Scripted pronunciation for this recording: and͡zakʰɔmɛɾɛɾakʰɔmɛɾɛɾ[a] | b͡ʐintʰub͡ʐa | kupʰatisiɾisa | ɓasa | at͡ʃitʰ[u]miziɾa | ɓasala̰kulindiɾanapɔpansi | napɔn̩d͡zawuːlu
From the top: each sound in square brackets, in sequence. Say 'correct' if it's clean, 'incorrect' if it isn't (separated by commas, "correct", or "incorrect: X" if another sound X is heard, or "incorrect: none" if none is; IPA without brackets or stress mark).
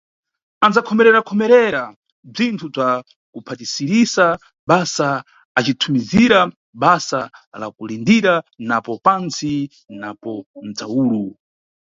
correct, correct